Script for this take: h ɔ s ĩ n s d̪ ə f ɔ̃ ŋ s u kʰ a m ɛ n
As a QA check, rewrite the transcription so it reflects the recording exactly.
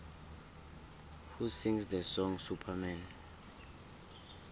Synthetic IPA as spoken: h u s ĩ ŋ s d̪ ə s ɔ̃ ŋ s u pʰ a m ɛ n